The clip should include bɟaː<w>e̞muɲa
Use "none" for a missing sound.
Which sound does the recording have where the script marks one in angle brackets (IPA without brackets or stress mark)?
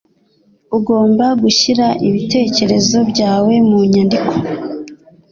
w